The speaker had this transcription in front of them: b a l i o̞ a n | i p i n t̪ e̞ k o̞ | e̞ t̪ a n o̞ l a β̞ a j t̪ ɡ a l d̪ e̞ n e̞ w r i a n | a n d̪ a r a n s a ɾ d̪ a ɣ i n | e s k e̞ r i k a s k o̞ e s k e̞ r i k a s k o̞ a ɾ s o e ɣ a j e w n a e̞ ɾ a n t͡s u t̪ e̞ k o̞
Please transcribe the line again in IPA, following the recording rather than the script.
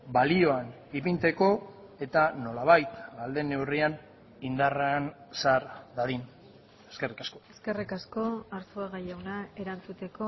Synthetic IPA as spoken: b a l i o̞ a n | i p i n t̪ e̞ k o̞ | e̞ t̪ a n o̞ l a β̞ a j t̪ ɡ a l d̪ e̞ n e̞ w r i a n | i n d̪ a r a n s a ɾ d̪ a ð i n | e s k e̞ r i k a s k o̞ e s k e̞ r i k a s k o̞ a ɾ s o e ɣ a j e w n a e̞ ɾ a n t͡s u t̪ e̞ k o̞